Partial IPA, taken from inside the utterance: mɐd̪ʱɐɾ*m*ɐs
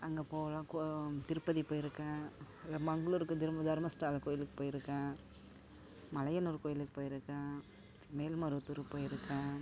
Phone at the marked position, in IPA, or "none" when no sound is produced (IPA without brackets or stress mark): m